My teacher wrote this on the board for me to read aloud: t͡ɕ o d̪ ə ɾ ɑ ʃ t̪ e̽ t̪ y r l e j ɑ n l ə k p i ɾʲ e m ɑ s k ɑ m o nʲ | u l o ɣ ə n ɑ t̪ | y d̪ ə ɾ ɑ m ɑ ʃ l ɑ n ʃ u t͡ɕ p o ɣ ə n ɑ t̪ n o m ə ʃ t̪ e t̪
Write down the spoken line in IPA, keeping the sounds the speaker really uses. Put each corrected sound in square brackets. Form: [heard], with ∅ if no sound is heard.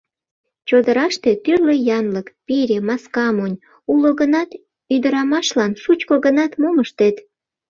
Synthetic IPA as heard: t͡ɕ o d̪ ə ɾ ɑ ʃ t̪ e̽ t̪ y r l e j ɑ n l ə k p i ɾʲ e m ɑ s k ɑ m o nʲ | u l o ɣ ə n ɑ t̪ | y d̪ ə ɾ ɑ m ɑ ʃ l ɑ n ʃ u t͡ɕ [k] o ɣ ə n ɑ t̪ [m] o m ə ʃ t̪ e t̪